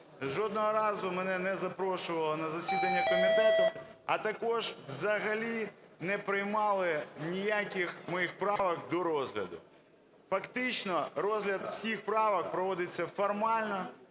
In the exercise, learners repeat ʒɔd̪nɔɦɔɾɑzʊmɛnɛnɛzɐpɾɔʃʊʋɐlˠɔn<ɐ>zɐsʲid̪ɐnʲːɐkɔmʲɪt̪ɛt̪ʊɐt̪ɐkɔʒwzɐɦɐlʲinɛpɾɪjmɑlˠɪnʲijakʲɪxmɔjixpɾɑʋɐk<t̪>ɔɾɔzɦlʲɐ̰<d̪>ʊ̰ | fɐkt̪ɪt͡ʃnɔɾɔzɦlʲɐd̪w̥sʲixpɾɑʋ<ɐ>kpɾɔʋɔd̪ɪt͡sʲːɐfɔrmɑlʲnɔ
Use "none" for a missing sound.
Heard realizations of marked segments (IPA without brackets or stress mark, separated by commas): ɐ, d̪, d̪, ɐ